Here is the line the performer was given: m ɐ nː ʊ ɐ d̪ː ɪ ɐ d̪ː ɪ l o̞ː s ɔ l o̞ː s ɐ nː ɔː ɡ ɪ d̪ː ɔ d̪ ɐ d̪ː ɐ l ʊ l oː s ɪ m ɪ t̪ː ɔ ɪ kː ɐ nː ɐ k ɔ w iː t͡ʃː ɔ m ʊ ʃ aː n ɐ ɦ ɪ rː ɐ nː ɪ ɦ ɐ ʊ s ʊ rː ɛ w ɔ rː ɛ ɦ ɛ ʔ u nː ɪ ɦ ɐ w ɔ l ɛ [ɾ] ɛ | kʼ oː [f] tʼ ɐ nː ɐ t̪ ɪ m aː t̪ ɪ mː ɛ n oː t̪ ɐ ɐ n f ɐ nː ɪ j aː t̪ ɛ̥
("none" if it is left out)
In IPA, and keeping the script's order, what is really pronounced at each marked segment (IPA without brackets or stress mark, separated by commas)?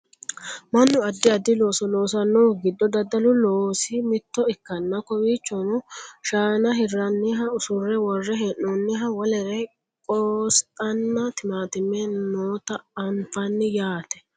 ɾ, s